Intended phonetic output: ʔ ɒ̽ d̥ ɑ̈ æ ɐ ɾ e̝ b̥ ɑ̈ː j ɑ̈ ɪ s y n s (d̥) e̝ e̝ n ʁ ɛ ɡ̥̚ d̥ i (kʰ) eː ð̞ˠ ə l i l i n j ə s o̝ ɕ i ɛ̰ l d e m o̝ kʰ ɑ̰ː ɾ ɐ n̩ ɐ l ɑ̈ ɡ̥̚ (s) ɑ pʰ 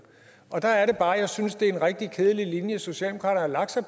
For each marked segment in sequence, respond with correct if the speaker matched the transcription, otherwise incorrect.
correct, correct, correct

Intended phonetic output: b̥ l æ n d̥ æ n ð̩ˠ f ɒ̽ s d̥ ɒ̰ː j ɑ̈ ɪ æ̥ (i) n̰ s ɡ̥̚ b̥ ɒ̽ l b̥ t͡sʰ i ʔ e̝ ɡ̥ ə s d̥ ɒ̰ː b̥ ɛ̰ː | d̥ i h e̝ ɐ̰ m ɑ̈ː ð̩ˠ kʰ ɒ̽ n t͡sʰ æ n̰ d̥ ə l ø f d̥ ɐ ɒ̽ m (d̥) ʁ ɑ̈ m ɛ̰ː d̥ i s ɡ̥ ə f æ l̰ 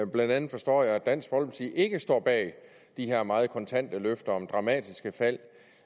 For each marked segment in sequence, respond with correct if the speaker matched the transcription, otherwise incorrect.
incorrect, correct

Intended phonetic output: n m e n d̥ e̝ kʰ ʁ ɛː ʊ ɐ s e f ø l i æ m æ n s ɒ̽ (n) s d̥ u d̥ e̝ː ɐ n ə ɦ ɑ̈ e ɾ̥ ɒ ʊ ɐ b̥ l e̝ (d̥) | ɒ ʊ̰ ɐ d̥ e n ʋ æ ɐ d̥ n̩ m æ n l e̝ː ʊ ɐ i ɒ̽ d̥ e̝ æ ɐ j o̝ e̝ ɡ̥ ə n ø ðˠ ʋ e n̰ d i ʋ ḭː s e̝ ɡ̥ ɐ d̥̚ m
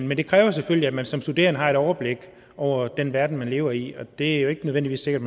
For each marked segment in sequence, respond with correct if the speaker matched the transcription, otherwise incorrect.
incorrect, incorrect

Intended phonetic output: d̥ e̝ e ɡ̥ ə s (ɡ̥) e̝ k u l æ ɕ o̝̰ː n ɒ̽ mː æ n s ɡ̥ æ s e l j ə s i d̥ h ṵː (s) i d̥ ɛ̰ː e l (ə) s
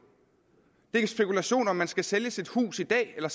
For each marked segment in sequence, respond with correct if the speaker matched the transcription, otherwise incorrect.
incorrect, correct, incorrect

